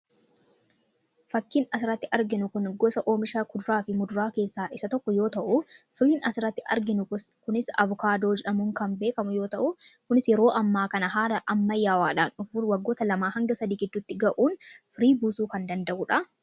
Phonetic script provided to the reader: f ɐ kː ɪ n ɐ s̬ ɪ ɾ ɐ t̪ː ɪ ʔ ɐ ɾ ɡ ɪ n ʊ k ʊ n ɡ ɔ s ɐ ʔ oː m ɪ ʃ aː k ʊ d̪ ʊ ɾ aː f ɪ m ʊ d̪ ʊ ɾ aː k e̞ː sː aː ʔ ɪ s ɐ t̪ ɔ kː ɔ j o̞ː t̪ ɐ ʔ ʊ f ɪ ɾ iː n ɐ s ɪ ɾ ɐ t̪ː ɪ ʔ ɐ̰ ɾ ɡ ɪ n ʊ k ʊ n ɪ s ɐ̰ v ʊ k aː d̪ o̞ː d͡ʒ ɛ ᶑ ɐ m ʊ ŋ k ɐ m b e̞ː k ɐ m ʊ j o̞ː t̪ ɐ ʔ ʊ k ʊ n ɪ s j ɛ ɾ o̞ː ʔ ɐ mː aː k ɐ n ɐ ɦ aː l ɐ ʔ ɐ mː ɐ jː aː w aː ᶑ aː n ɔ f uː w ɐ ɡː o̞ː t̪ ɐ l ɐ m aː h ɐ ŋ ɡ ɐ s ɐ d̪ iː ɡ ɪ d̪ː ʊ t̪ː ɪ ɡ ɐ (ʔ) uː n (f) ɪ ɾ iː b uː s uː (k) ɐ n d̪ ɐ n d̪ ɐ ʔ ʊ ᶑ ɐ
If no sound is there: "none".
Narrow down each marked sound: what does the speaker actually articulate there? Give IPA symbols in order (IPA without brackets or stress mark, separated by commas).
ʔ, f, k